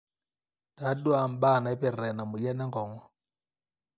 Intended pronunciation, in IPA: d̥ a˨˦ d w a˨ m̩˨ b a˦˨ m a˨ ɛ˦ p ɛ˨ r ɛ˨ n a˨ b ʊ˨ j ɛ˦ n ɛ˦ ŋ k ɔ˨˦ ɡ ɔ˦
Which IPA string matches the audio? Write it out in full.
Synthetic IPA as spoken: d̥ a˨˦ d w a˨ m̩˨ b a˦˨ n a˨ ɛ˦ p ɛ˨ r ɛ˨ n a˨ m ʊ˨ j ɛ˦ n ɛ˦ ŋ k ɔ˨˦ ŋ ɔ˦